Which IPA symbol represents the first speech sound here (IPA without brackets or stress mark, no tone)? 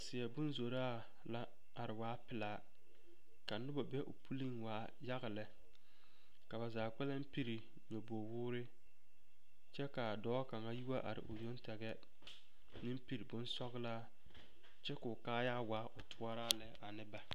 s